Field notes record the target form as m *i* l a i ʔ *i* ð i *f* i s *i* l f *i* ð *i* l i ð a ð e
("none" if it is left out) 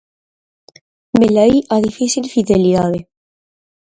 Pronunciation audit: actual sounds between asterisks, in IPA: e, a, f, i, i, e

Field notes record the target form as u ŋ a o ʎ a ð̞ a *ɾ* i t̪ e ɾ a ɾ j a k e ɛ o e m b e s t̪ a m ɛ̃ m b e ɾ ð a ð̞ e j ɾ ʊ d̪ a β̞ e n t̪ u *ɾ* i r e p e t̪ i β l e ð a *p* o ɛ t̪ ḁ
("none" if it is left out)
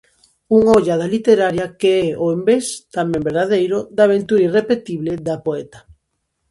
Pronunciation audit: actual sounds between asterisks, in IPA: l, ɾ, p

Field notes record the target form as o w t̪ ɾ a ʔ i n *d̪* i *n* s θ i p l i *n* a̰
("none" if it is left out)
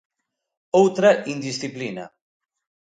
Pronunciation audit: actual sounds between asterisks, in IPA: d̪, none, n

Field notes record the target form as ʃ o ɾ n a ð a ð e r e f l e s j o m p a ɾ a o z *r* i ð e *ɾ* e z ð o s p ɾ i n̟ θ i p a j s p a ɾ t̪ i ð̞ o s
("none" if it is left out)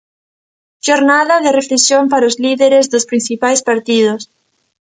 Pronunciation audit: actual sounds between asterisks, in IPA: l, ɾ

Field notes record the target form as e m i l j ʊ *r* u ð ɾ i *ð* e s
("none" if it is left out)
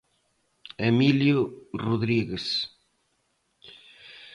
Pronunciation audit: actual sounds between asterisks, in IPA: r, ɣ

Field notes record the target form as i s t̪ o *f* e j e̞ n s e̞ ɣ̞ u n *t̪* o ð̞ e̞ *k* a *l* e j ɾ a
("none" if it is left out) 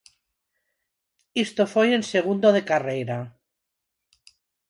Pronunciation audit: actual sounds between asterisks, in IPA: f, d̪, k, r

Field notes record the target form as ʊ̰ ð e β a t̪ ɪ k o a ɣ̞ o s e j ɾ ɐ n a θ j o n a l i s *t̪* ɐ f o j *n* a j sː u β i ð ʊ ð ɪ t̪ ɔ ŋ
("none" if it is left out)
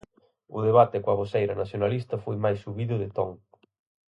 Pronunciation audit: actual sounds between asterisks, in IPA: t̪, m

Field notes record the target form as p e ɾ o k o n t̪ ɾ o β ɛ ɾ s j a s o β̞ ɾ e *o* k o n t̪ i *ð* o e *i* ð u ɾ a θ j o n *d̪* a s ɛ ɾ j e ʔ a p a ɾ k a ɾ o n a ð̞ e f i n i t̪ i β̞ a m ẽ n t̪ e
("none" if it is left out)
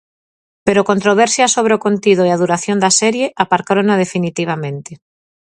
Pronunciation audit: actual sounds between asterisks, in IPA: o, ð, a, d̪

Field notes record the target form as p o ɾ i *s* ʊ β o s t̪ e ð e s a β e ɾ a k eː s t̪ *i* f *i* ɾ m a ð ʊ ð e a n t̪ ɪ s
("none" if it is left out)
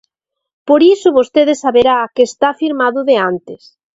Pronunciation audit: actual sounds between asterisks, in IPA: s, a, i

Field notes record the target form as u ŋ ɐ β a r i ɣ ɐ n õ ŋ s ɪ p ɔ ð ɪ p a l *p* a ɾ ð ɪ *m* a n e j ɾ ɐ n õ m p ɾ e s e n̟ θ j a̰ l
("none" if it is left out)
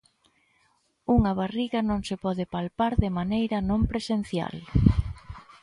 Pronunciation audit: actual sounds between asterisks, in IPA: p, m

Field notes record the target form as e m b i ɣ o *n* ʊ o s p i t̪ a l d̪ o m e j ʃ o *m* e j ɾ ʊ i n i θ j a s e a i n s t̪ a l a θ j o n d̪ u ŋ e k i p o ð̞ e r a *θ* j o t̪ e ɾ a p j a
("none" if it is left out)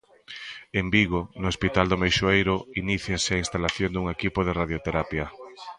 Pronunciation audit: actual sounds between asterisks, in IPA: n, none, ð

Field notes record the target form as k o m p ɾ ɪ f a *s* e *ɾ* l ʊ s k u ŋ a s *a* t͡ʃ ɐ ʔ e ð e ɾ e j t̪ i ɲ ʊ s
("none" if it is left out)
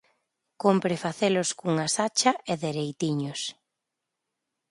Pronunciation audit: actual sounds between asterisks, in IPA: θ, none, a

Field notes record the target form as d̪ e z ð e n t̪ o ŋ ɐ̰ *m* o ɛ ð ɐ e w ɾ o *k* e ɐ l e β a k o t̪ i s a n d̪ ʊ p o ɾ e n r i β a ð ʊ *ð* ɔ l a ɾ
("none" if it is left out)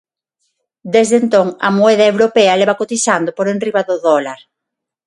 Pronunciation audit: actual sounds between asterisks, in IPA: m, p, ð

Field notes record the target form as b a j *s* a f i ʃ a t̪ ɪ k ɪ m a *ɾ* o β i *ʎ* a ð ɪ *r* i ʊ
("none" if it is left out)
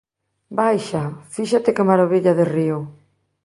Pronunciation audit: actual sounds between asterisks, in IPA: ʃ, ɾ, ʎ, r

